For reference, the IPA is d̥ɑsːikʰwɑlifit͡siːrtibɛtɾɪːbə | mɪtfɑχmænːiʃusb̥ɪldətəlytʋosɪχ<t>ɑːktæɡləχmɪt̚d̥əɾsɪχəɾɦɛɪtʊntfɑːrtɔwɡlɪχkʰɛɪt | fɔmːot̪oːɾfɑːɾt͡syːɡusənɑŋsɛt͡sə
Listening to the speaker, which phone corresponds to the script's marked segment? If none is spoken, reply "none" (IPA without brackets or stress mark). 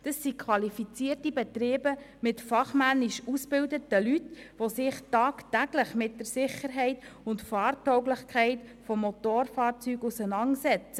t